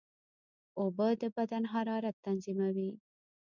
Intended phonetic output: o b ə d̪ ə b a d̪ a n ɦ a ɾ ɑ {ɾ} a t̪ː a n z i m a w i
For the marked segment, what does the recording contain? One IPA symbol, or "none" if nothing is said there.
ɾ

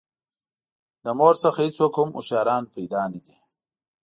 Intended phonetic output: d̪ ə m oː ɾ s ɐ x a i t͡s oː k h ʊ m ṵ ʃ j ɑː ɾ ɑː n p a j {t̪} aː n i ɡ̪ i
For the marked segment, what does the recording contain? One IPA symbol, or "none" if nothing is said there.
d̪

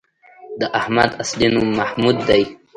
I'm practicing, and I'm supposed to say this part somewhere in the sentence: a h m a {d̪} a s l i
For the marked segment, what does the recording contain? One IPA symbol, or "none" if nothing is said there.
d̪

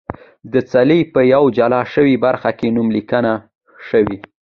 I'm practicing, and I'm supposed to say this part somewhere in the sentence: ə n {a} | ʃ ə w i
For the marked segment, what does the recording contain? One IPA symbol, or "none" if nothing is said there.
a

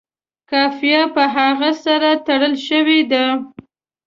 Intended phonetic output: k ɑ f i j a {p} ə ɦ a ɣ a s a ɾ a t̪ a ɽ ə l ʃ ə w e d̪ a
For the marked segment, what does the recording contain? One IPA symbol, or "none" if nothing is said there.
p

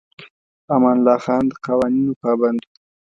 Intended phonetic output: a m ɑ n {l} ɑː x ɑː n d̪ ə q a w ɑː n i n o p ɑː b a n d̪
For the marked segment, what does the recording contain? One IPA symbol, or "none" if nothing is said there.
l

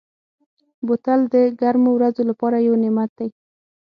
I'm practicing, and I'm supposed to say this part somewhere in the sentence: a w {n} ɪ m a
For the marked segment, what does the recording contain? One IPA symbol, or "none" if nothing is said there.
n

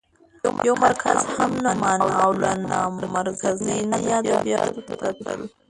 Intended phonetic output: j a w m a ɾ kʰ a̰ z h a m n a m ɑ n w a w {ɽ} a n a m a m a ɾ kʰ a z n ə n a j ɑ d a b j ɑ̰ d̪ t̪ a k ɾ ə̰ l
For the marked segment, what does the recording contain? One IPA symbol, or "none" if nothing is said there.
l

